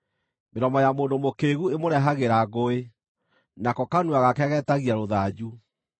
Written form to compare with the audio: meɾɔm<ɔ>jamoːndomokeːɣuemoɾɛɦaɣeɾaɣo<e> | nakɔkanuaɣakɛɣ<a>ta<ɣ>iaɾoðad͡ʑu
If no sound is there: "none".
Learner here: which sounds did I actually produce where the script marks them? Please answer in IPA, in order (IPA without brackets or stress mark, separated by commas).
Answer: ɔ, e, ɛ, ɣ